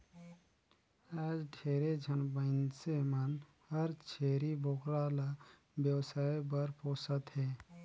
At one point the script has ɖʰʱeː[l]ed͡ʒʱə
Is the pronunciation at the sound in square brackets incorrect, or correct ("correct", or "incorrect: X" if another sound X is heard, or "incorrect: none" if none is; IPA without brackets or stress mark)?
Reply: incorrect: ɾ